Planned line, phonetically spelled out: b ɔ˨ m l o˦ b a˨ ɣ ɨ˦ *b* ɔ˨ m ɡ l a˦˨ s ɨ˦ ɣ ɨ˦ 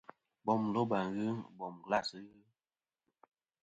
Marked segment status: correct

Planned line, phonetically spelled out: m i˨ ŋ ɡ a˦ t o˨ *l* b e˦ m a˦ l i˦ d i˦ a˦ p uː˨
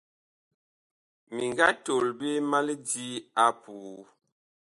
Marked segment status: correct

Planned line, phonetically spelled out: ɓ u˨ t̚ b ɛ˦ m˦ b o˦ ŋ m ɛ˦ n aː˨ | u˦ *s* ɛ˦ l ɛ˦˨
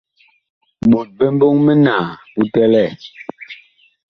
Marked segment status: incorrect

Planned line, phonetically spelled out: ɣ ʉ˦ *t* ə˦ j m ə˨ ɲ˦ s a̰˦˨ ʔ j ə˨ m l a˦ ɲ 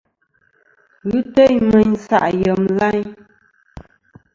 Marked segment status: correct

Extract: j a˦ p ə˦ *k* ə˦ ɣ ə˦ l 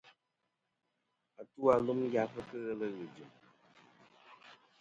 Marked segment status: correct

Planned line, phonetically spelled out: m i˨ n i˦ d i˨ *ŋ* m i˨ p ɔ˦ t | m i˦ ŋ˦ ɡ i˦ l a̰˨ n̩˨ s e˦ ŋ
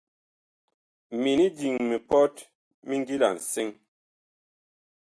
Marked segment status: correct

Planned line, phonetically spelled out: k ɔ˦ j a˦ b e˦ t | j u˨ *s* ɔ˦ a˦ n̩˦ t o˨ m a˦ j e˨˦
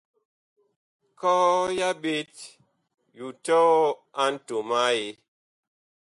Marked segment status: incorrect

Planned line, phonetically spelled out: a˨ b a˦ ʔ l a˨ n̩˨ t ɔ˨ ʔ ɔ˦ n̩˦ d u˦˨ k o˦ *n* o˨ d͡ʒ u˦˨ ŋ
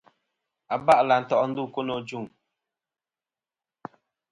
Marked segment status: correct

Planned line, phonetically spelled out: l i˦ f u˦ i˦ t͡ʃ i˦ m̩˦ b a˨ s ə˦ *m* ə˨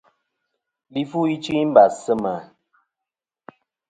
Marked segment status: correct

